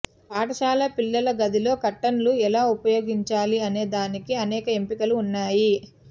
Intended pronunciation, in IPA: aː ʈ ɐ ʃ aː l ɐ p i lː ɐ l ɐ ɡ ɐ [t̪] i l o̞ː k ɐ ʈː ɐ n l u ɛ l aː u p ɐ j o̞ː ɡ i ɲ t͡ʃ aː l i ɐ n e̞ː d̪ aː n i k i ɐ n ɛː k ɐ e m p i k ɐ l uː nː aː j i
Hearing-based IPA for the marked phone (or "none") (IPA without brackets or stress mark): d̪